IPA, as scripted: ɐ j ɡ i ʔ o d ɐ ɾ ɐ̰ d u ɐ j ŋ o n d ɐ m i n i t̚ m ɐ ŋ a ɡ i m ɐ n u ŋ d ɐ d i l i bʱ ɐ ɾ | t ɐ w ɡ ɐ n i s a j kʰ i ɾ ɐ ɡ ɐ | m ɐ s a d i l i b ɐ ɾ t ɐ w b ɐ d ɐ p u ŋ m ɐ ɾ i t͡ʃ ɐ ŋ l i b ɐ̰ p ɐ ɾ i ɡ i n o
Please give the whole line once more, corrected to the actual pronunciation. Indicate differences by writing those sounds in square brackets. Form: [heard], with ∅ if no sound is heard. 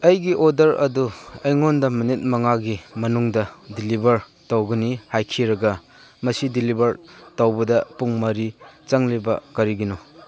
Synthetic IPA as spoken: ɐ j ɡ i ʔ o d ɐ ɾ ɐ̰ d u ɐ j ŋ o n d ɐ m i n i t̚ m ɐ ŋ a ɡ i m ɐ n u ŋ d ɐ d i l i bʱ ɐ ɾ | t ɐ w ɡ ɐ n i [h] a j kʰ i ɾ ɐ ɡ ɐ | m ɐ s [i] d i l i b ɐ ɾ t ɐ w b ɐ d ɐ p u ŋ m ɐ ɾ i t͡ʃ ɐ ŋ l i b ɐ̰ [k] ɐ ɾ i ɡ i n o